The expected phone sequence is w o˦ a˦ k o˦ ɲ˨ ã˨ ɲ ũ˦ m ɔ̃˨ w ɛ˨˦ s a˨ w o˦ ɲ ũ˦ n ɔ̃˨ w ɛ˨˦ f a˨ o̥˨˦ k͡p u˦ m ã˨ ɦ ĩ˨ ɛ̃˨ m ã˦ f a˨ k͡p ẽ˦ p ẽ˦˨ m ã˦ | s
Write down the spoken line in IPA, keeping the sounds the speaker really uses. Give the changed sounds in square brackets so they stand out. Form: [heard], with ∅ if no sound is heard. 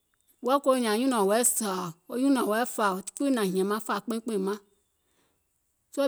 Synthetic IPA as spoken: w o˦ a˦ k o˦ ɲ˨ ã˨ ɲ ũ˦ [n] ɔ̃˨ w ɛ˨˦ s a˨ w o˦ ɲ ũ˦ n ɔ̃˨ w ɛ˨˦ f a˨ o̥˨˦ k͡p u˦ [n] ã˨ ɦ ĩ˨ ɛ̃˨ m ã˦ f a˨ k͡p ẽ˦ [k͡p] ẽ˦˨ m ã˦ | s